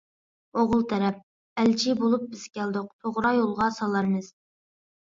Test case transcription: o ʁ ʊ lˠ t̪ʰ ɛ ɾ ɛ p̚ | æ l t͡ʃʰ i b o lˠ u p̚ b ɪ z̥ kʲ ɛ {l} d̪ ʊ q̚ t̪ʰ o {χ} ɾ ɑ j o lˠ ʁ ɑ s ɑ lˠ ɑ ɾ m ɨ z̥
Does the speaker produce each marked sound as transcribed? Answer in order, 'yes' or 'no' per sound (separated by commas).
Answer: yes, no